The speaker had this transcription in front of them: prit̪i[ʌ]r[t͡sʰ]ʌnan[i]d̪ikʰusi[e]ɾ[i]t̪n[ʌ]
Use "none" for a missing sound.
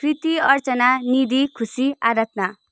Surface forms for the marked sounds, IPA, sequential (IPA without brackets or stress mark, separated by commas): ʌ, t͡s, i, a, a, a